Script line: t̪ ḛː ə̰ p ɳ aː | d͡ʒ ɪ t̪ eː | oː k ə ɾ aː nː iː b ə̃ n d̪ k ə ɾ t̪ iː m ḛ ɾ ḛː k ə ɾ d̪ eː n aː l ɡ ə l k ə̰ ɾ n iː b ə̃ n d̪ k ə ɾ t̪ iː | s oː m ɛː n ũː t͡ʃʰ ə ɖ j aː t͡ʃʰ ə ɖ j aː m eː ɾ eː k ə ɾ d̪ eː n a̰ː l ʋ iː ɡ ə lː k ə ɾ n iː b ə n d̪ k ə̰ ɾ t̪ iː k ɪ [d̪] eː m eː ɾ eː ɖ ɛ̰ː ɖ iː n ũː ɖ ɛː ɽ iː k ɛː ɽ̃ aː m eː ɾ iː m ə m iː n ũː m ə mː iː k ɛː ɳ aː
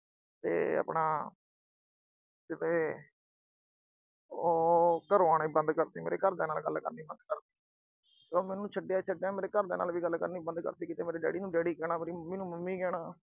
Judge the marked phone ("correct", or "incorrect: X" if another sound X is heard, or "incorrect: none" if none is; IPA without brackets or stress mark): incorrect: t̪